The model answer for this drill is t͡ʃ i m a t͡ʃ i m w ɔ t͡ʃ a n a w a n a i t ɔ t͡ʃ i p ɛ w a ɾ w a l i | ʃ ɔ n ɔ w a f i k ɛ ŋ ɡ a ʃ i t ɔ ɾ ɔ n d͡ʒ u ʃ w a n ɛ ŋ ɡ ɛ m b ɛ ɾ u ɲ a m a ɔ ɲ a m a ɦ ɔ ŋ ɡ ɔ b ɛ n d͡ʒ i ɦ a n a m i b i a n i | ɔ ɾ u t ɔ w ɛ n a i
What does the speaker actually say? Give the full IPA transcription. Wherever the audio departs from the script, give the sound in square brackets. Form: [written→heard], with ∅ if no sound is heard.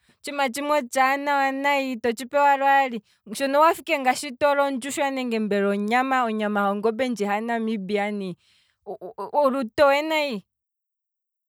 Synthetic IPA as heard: t͡ʃ i m a t͡ʃ i m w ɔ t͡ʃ a n a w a n a i t ɔ t͡ʃ i p ɛ w a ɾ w a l i | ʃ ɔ n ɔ w a f i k ɛ ŋ ɡ a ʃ i t ɔ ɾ ɔ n d͡ʒ u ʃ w a n ɛ ŋ ɡ ɛ m b ɛ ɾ [u→ɔ] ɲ a m a ɔ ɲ a m a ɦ ɔ ŋ ɡ ɔ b ɛ n d͡ʒ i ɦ a n a m i b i a n i | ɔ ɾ u t ɔ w ɛ n a i